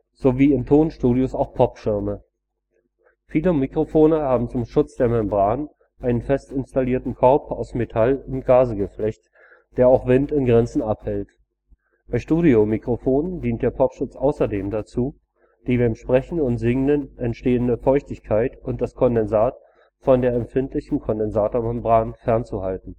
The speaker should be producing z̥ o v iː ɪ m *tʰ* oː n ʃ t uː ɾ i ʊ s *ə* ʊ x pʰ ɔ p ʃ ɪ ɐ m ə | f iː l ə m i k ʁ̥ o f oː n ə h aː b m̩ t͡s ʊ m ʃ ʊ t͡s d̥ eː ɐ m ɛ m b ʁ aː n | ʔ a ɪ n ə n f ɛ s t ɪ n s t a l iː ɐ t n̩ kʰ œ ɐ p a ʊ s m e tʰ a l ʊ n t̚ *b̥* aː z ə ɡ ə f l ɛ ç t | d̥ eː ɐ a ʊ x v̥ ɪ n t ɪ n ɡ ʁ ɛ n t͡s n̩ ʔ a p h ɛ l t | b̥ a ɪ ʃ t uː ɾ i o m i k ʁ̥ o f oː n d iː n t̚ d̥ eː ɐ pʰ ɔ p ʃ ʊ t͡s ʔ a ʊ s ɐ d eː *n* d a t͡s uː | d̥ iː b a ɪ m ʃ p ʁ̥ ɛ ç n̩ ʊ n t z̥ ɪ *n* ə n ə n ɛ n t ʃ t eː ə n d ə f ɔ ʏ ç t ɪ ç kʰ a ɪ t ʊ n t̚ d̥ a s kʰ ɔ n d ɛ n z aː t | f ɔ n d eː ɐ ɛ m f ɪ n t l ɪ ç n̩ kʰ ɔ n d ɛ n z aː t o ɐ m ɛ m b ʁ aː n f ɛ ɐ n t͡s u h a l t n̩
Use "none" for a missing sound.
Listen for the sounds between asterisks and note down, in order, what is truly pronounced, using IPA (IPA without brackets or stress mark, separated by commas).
tʰ, a, ɡ̥, m, ŋ